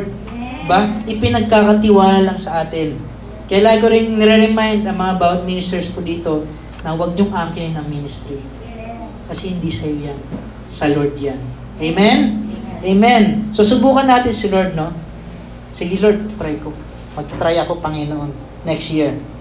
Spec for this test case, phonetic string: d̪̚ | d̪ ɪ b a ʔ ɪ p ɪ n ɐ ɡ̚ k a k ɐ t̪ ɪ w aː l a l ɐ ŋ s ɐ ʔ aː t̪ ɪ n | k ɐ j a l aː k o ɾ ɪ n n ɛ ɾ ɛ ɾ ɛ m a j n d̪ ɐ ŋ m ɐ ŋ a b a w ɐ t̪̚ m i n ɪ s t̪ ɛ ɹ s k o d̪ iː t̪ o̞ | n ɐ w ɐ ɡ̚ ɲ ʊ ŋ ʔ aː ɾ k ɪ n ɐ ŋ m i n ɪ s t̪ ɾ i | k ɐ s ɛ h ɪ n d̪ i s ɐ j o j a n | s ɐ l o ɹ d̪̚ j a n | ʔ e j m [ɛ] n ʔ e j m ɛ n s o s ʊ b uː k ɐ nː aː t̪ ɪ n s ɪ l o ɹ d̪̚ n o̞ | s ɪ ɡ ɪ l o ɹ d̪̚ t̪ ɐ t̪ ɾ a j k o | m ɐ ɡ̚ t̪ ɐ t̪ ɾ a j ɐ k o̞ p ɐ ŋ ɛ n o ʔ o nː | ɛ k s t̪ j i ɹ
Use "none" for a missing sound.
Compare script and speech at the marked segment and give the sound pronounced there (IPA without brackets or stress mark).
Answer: ɛ